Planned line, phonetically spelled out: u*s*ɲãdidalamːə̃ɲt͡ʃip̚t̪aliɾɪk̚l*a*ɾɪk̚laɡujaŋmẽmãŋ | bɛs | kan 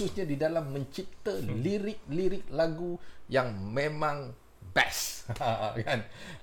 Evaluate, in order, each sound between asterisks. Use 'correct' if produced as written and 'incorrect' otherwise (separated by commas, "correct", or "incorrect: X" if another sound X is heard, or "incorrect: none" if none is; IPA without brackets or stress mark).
correct, incorrect: i